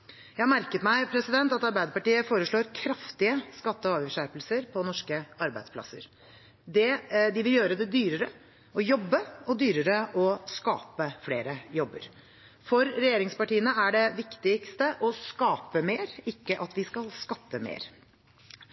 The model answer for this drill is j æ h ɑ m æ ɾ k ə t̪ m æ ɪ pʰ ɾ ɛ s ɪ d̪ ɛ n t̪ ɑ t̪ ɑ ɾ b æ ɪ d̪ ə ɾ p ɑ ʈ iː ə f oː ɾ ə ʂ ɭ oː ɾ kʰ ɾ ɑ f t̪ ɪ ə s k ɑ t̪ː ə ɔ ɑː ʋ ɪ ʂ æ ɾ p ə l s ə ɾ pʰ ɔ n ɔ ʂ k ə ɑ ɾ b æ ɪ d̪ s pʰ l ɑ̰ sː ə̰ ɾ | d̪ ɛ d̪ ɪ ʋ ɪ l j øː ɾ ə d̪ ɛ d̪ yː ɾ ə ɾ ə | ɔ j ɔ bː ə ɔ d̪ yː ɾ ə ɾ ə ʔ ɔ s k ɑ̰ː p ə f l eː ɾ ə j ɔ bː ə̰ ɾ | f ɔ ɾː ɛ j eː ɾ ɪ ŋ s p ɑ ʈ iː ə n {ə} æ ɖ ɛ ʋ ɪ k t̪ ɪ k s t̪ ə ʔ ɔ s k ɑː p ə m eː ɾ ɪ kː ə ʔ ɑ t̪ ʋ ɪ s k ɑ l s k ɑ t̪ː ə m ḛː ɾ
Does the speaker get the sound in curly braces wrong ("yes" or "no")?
no